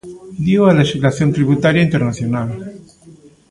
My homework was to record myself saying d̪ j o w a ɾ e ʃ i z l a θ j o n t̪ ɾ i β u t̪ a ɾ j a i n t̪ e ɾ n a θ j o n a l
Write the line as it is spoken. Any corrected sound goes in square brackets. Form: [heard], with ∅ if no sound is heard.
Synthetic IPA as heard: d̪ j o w a [l] e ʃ i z l a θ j o n t̪ ɾ i β u t̪ a ɾ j a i n t̪ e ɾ n a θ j o n a l

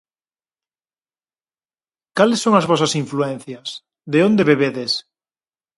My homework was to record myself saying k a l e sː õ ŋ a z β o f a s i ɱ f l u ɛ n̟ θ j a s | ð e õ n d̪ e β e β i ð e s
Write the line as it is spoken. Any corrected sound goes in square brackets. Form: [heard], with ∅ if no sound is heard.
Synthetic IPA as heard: k a l e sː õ ŋ a z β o [s] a s i ɱ f l u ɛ n̟ θ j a s | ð e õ n d̪ e β e β [e] ð e s

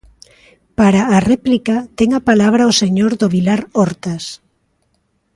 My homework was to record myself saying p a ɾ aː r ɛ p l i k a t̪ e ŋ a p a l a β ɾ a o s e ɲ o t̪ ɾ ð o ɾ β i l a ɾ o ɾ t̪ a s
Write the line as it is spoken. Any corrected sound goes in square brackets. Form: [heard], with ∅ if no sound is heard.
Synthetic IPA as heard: p a ɾ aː r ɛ p l i k a t̪ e ŋ a p a l a β ɾ a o s e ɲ o [∅] ɾ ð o [∅] β i l a ɾ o ɾ t̪ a s

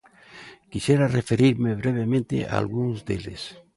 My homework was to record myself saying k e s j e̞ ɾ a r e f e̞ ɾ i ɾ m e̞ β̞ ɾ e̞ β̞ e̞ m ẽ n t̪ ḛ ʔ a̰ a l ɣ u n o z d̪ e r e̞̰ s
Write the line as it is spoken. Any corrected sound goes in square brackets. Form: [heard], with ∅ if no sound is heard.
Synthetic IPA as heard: k [i] s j e̞ ɾ a r e f e̞ ɾ i ɾ m e̞ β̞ ɾ e̞ β̞ e̞ m ẽ n t̪ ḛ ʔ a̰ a l ɣ u n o z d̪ e [l] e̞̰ s

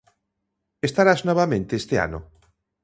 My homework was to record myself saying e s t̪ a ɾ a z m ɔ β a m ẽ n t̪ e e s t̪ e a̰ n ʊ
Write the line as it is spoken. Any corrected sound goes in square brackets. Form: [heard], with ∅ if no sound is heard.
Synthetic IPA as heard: e s t̪ a ɾ a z [n] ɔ β a m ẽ n t̪ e e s t̪ e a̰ n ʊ

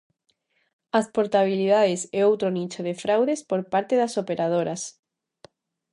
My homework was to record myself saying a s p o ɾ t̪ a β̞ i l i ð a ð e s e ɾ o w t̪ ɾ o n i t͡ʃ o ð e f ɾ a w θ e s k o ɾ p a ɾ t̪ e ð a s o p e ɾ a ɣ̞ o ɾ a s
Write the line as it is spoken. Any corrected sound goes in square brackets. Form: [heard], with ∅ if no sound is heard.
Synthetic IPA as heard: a s p o ɾ t̪ a β̞ i l i ð a ð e s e [∅] o w t̪ ɾ o n i t͡ʃ o ð e f ɾ a w [ð] e s [p] o ɾ p a ɾ t̪ e ð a s o p e ɾ a [ð̞] o ɾ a s

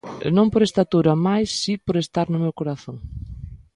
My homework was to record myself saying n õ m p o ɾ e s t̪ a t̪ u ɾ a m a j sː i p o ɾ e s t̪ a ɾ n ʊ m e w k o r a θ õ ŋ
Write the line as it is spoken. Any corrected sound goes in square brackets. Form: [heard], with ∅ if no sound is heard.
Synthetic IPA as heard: n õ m p o ɾ e s t̪ a t̪ u ɾ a m a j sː i p o ɾ e s t̪ a ɾ n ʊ m e w k o [ɾ] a θ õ ŋ

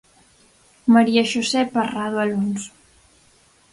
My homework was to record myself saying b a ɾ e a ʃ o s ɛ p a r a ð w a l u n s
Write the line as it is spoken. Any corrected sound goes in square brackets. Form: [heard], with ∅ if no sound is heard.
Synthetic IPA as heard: [m] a ɾ [i] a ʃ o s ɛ p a r a ð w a l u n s

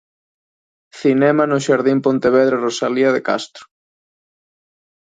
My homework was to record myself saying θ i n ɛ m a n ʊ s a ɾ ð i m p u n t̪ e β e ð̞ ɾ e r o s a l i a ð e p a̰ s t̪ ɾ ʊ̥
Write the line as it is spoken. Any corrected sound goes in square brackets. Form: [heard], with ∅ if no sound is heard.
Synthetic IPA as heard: θ i n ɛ m a n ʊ [ʃ] a ɾ ð i m p [o] n t̪ e β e ð̞ ɾ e r o s a l i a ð e [k] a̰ s t̪ ɾ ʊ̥

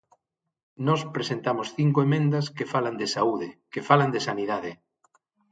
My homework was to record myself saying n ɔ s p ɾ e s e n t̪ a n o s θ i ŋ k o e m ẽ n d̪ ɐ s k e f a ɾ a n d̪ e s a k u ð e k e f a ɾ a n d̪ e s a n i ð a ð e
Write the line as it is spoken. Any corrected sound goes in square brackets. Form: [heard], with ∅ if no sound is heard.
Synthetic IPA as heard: n ɔ s p ɾ e s e n t̪ a [m] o s θ i ŋ k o e m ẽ n d̪ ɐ s k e f a [l] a n d̪ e s a [∅] u ð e k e f a [l] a n d̪ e s a n i ð a ð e

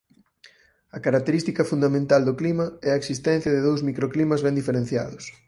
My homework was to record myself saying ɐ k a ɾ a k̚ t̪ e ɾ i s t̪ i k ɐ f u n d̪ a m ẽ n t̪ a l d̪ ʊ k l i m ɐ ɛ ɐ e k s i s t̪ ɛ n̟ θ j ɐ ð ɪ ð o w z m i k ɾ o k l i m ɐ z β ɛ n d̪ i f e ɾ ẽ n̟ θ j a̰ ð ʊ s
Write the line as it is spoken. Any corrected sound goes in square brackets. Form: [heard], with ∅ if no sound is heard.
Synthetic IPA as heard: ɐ k a ɾ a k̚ t̪ e ɾ i s t̪ i k ɐ f u n d̪ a m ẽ n t̪ a l d̪ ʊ k l i m ɐ ɛ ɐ e k s i s t̪ ɛ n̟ θ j ɐ ð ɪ ð o w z m i k ɾ o k l i m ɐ z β ɛ n d̪ i f e ɾ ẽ n̟ θ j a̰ ð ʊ s

